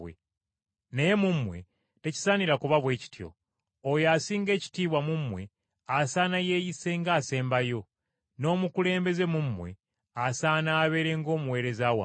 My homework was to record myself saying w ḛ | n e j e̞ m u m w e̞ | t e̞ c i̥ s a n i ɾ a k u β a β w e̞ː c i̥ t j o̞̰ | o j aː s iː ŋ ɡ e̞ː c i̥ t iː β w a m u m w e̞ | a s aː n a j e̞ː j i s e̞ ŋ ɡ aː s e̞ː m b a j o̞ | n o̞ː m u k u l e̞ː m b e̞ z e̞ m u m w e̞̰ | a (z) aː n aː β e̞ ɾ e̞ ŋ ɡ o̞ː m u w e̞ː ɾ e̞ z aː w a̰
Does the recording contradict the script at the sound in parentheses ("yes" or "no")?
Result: yes